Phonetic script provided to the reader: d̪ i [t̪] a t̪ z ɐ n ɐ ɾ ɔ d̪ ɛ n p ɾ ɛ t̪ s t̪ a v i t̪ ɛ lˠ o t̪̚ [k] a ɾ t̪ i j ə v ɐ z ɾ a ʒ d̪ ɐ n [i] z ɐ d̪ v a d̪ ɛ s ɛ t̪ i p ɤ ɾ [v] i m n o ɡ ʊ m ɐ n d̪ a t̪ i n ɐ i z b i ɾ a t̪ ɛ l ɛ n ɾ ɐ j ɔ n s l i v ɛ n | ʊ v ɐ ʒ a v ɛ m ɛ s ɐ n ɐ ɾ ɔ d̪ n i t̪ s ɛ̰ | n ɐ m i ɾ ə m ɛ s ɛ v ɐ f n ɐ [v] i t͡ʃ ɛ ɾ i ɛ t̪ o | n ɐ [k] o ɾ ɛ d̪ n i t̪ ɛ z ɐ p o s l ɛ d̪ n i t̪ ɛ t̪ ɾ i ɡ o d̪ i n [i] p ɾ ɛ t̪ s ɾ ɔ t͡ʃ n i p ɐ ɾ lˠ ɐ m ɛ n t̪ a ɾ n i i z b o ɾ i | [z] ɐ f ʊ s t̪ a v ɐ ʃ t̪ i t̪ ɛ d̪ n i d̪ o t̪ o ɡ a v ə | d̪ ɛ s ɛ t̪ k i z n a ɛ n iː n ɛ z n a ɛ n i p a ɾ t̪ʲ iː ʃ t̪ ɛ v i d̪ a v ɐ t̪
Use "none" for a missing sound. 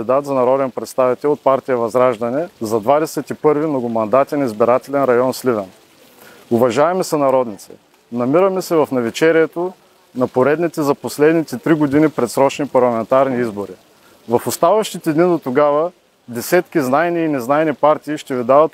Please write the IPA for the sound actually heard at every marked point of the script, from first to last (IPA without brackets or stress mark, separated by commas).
d̪, p, ɛ, v, v, p, i, v